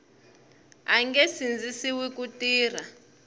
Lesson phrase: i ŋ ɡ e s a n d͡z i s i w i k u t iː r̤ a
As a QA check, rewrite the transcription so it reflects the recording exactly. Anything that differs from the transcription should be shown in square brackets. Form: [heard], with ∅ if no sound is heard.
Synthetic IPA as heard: [a] ŋ ɡ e s [i] n d͡z i s i w i k u t iː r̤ a